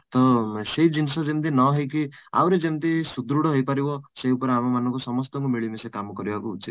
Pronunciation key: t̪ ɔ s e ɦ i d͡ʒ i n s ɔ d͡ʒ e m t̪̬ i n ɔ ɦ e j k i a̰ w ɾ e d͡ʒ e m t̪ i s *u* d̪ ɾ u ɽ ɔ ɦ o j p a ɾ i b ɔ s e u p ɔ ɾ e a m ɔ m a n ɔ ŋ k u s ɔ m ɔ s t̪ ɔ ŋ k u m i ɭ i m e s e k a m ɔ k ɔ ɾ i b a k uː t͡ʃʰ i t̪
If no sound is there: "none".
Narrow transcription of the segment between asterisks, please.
u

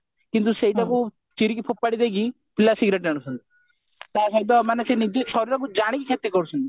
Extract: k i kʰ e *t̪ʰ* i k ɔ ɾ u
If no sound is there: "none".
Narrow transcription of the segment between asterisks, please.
t̪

